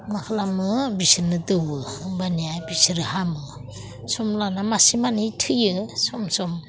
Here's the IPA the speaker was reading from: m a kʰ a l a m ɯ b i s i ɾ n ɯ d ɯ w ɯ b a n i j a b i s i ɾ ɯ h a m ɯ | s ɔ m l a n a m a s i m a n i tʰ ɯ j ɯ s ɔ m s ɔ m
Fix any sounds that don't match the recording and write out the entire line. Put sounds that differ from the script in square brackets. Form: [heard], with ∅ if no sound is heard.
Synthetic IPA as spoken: m a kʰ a l a m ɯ b i s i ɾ n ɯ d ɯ w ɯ b a n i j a b i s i ɾ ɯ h a m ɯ | s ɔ m l a n a m a s i m a n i tʰ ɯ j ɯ s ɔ m s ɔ m